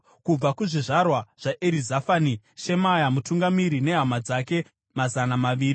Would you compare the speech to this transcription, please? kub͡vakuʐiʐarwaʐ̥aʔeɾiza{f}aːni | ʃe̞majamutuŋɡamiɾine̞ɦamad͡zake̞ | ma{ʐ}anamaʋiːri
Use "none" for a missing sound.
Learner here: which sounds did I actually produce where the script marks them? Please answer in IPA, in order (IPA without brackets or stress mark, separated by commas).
f, z